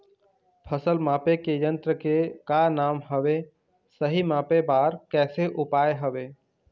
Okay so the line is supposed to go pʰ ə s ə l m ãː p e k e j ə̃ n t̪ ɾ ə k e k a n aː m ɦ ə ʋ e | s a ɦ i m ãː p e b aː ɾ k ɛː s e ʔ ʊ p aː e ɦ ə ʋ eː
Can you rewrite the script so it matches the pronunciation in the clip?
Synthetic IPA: pʰ ə s ə l m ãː p e k e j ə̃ n t̪ ɾ ə k e k a n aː m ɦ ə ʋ e | s ə ɦ i m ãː p e b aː ɾ k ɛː s e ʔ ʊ p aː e ɦ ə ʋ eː